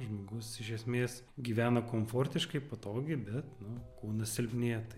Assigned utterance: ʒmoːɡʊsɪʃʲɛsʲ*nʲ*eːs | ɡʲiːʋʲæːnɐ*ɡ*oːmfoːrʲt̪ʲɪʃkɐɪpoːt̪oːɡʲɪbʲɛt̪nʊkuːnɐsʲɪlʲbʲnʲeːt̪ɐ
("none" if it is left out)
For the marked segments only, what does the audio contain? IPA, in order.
mʲ, k

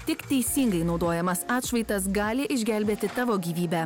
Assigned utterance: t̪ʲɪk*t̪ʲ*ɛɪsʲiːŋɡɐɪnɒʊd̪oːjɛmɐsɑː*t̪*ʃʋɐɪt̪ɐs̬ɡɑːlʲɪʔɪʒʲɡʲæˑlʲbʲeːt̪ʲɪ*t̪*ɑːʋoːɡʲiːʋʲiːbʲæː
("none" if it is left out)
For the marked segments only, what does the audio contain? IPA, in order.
t̪ʲ, t̪, t̪

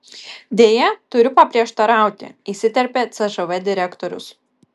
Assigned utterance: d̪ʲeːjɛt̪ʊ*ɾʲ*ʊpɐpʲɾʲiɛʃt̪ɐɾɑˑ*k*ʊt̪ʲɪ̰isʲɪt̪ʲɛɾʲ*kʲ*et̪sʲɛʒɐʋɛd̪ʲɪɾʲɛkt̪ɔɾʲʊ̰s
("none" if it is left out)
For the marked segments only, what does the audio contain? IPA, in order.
ɾʲ, none, pʲ

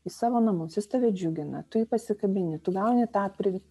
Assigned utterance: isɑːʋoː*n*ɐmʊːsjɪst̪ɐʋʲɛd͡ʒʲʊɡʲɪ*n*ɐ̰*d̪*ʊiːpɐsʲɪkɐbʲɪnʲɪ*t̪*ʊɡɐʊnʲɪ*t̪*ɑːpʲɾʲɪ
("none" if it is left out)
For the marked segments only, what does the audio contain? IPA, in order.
n, n, t̪, t̪, t̪

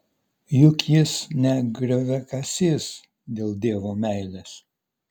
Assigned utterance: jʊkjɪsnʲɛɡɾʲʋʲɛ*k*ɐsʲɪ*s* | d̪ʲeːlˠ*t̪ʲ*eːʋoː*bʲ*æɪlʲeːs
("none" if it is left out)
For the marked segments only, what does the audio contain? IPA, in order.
k, s, d̪ʲ, mʲ

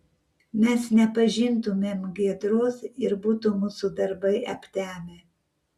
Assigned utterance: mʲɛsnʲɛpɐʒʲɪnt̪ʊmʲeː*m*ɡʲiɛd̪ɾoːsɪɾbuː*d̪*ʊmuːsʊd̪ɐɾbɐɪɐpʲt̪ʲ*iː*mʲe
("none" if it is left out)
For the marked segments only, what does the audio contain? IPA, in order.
m, t̪, æː

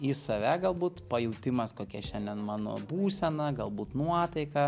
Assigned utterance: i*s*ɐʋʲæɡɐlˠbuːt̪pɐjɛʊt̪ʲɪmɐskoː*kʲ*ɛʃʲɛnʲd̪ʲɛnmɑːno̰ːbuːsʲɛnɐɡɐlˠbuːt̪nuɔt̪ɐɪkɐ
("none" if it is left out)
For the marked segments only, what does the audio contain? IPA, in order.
s, kʲ

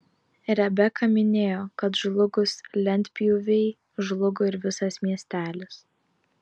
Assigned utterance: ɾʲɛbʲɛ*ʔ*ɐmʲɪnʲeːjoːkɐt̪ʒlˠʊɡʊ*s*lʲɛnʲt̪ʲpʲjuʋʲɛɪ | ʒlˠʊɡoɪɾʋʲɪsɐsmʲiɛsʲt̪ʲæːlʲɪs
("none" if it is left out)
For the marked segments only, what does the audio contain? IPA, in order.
k, s

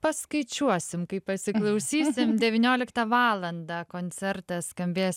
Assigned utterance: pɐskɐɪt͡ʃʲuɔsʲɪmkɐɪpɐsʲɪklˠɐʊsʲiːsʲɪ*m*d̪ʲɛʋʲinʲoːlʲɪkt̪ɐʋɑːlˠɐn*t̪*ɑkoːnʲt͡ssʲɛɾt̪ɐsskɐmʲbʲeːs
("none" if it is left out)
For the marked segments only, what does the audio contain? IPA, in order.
m, d̪

